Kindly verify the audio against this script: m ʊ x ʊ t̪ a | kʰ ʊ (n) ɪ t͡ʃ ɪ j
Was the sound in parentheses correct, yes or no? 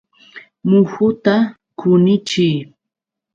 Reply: yes